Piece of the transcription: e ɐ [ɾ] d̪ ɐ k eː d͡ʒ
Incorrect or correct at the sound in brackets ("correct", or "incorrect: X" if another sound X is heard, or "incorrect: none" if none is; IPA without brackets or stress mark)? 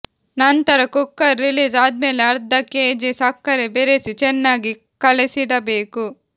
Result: correct